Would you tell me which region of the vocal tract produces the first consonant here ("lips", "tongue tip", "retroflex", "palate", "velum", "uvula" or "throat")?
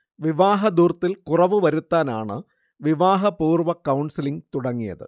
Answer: lips